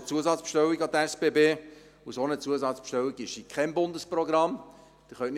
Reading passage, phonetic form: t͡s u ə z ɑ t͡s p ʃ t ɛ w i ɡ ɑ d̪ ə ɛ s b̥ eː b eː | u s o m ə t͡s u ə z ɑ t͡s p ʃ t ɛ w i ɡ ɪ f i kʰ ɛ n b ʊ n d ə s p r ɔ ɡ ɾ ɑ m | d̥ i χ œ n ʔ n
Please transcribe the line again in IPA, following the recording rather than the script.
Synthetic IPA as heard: t͡s u ə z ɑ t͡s p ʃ t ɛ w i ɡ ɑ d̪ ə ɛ s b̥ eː b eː | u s o n ə t͡s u ə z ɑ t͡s p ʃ t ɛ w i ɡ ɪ ʃ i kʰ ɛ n b ʊ n d ə s p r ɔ ɡ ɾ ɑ m | d̥ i χ œ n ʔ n